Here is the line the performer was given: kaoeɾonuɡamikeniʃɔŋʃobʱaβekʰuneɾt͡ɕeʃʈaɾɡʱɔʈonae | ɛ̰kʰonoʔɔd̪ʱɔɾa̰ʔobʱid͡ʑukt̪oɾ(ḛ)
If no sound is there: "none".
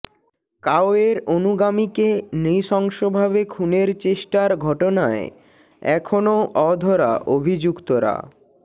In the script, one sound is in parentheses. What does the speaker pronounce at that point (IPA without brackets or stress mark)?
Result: a̰